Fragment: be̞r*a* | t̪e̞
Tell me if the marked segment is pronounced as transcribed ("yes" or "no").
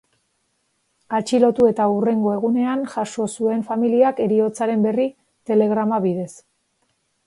no